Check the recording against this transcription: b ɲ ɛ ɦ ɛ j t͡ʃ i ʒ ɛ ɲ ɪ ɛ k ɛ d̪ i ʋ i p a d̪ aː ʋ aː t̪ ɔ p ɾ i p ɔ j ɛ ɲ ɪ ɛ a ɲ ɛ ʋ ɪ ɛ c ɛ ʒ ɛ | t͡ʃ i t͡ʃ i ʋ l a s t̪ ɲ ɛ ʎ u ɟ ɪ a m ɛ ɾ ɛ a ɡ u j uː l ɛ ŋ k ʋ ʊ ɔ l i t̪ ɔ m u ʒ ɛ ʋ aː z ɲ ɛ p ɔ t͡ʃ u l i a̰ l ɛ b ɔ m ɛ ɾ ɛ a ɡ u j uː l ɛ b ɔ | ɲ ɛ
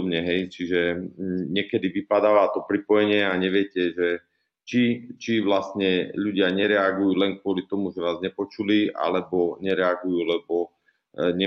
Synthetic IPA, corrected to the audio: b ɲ ɛ ɦ ɛ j t͡ʃ i ʒ ɛ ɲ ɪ ɛ k ɛ d̪ i ʋ i p a d̪ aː ʋ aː t̪ ɔ p ɾ i p ɔ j ɛ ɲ ɪ ɛ a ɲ ɛ ʋ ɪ ɛ c ɛ ʒ ɛ | t͡ʃ i t͡ʃ i ʋ l a s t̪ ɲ ɛ ʎ u ɟ ɪ a ɲ ɛ ɾ ɛ a ɡ u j uː l ɛ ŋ k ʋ ʊ ɔ l i t̪ ɔ m u ʒ ɛ ʋ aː z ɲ ɛ p ɔ t͡ʃ u l i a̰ l ɛ b ɔ ɲ ɛ ɾ ɛ a ɡ u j uː l ɛ b ɔ | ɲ ɛ